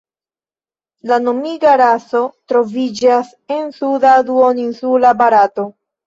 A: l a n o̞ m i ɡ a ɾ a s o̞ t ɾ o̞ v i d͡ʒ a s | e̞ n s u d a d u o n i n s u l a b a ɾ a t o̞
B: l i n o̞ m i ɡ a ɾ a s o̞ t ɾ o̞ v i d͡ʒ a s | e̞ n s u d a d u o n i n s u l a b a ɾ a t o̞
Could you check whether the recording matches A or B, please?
A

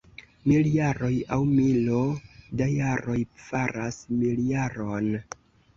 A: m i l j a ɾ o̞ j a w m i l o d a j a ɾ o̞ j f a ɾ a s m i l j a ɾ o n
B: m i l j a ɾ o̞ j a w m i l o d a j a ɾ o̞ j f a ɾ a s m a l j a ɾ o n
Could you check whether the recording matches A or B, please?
A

